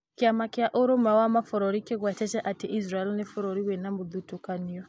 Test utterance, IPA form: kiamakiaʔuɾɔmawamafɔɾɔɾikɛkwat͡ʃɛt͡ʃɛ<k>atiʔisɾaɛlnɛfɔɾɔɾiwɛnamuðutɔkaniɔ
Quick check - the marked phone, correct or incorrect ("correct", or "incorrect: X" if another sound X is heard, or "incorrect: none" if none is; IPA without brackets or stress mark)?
incorrect: ʔ